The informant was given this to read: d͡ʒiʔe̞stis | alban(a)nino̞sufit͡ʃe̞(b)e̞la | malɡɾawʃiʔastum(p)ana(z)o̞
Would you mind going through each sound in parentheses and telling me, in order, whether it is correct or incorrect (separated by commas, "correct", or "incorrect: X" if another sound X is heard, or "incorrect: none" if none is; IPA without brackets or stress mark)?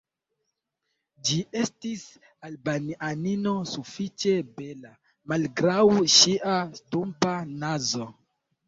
correct, correct, correct, correct